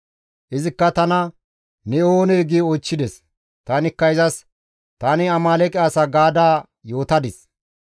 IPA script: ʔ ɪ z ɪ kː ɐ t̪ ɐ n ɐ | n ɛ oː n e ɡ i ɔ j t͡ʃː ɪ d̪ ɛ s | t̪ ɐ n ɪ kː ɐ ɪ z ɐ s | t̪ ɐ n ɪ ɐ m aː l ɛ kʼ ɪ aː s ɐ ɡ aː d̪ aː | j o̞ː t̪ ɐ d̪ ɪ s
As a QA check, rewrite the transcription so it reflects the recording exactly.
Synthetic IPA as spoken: ʔ ɪ z ɪ kː ɐ t̪ ɐ n ɐ | n ɛ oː n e ɡ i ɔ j t͡ʃː ɪ d̪ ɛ s | t̪ ɐ n ɪ kː ɐ ɪ z ɐ s | t̪ ɐ n ɪ ɐ m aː l ɛ kʼ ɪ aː s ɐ ɡ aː d̪ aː | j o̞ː t̪ ɐ d̪ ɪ s

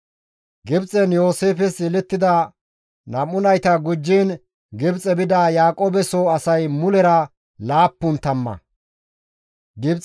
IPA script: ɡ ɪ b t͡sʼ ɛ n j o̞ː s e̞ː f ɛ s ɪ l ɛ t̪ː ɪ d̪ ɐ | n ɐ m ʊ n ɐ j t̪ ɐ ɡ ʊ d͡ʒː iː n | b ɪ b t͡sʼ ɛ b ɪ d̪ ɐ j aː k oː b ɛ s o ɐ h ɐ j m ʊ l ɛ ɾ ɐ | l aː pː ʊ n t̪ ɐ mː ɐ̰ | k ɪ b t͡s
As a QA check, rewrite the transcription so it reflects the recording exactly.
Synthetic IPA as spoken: ɡ ɪ b t͡sʼ ɛ n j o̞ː s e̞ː f ɛ s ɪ l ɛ t̪ː ɪ d̪ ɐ | n ɐ m ʊ n ɐ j t̪ ɐ ɡ ʊ d͡ʒː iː n | ɡ ɪ b t͡sʼ ɛ b ɪ d̪ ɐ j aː kʼ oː b ɛ s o ɐ s ɐ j m ʊ l ɛ ɾ ɐ | l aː pː ʊ n t̪ ɐ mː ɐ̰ | ɡ ɪ b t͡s

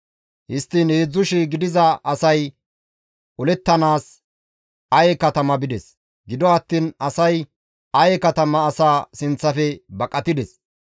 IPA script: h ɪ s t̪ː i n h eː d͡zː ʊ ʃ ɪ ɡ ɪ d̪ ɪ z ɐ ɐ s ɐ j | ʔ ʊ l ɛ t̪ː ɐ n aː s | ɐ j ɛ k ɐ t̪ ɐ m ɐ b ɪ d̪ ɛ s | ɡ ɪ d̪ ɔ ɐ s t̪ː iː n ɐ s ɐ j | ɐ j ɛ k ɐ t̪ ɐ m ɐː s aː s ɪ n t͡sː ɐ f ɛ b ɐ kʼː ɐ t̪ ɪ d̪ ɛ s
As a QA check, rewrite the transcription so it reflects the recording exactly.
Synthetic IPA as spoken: h ɪ s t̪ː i n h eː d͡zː ʊ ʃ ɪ ɡ ɪ d̪ ɪ z ɐ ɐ s ɐ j | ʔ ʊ l ɛ t̪ː ɐ n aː s | ɐ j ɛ k ɐ t̪ ɐ m ɐ b ɪ d̪ ɛ s | ɡ ɪ d̪ ɔ ɐ t̪ː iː n ɐ s ɐ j | ɐ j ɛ k ɐ t̪ ɐ m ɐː s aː s ɪ n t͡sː ɐ f ɛ b ɐ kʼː ɐ t̪ ɪ d̪ ɛ s

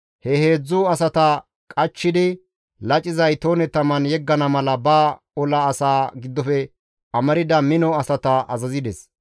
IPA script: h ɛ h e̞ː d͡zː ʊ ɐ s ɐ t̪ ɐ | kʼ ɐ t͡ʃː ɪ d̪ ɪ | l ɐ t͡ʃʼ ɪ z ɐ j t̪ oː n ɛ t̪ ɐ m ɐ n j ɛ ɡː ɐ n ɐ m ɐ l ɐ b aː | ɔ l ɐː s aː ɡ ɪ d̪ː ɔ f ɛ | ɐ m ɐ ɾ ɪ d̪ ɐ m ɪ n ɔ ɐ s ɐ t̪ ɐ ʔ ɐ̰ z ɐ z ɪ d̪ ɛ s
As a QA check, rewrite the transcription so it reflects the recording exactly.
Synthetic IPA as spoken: h ɛ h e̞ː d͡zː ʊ ɐ s ɐ t̪ ɐ | kʼ ɐ t͡ʃː ɪ d̪ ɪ | l ɐ t͡ʃʼ ɪ z ɐ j t̪ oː n ɛ t̪ ɐ m ɐ n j ɛ ɡː ɐ n ɐ m ɐ l ɐ b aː | ɔ l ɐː s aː ɡ ɪ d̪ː ɔ f ɛ | ɐ m ɐ ɾ ɪ d̪ ɐ m ɪ n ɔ ɐ s ɐ t̪ ɐ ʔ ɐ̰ z ɐ z ɪ d̪ ɛ s

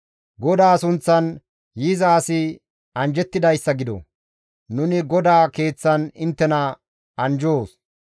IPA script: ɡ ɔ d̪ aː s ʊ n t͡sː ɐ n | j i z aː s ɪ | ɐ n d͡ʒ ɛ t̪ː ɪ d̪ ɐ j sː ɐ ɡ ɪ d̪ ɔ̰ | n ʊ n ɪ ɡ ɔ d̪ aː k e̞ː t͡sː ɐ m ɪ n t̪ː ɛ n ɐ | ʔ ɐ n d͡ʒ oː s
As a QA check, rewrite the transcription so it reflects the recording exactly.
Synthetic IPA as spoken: ɡ ɔ d̪ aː s ʊ n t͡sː ɐ n | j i z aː s ɪ | ɐ n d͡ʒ ɛ t̪ː ɪ d̪ ɐ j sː ɐ ɡ ɪ d̪ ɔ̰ | n ʊ n ɪ ɡ ɔ d̪ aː k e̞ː t͡sː ɐ n ɪ n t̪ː ɛ n ɐ | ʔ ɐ n d͡ʒ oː s

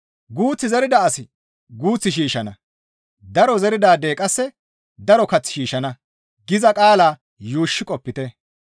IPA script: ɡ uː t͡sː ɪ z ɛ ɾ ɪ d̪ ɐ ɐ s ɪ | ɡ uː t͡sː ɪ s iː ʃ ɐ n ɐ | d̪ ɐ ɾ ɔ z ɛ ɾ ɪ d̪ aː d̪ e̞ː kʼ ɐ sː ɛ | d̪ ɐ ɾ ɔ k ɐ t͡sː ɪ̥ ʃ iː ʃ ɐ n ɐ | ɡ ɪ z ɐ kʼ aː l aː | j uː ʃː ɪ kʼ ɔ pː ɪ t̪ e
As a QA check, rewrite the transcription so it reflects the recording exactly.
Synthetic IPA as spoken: ɡ uː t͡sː ɪ z ɛ ɾ ɪ d̪ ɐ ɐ s ɪ | ɡ uː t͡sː ɪ ʃ iː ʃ ɐ n ɐ | d̪ ɐ ɾ ɔ z ɛ ɾ ɪ d̪ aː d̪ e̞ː kʼ ɐ sː ɛ | d̪ ɐ ɾ ɔ k ɐ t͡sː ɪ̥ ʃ iː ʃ ɐ n ɐ | ɡ ɪ z ɐ kʼ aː l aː | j uː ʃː ɪ kʼ ɔ pː ɪ t̪ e

